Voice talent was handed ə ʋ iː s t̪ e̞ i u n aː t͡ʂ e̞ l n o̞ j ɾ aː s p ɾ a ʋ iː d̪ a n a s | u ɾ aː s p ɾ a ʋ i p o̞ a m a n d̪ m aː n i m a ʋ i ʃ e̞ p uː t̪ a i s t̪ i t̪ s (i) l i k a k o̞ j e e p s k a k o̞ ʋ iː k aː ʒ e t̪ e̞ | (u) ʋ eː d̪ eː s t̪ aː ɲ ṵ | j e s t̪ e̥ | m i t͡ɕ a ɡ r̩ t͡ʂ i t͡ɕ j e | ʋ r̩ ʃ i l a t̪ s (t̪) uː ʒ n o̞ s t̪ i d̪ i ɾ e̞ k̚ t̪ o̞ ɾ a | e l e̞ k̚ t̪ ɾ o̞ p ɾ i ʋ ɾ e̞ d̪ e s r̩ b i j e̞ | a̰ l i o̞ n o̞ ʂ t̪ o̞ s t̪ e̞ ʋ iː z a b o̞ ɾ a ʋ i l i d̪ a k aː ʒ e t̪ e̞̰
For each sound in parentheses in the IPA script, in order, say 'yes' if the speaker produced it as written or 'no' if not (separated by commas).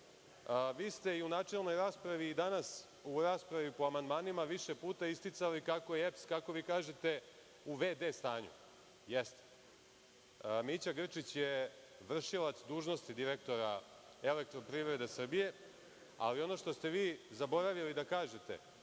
no, yes, no